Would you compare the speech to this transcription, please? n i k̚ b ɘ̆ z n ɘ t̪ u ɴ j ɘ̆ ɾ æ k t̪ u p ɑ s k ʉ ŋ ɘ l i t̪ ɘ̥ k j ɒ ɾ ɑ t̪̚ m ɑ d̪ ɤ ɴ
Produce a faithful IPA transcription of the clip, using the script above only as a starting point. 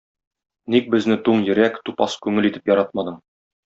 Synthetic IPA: n i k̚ b ɘ̆ z n ɘ t̪ u ɴ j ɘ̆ ɾ æ k t̪ u p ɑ s k ʉ ŋ ɘ l i t̪ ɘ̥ p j ɒ ɾ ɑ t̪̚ m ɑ d̪ ɤ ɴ